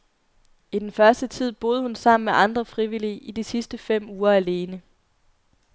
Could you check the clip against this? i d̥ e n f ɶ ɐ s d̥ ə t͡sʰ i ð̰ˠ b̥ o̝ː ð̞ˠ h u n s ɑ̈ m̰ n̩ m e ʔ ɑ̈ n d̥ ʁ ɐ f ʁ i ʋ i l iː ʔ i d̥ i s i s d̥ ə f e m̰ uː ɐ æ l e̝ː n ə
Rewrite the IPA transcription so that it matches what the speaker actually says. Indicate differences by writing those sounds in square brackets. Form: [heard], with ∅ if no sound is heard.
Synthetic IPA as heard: i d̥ e n f ɶ ɐ s d̥ ə t͡sʰ i ð̰ˠ b̥ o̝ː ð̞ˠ h u n s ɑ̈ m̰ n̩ m e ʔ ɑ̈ n d̥ ʁ ɐ f ʁ i ʋ i l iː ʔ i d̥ i s i s d̥ ə f e m̰ uː ɐ æ l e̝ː n ə